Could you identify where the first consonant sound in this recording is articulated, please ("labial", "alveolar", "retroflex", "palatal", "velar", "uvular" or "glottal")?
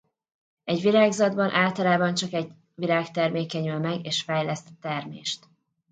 palatal